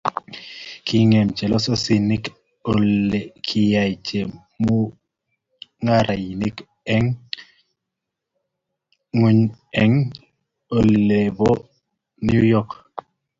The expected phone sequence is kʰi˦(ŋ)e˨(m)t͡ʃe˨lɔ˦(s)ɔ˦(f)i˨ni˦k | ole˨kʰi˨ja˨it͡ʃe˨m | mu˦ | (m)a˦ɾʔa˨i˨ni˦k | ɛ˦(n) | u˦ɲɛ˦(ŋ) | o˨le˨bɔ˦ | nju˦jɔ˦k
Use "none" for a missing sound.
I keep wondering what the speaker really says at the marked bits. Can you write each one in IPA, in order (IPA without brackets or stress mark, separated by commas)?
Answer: ŋ, m, s, s, ŋ, ŋ, ŋ